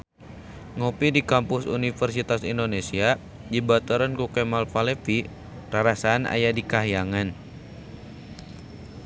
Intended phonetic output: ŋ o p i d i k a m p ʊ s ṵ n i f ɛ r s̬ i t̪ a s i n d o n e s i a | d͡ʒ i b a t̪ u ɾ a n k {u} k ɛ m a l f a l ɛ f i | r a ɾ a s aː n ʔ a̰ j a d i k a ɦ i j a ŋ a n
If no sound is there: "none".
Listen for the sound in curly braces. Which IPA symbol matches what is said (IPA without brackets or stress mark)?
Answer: u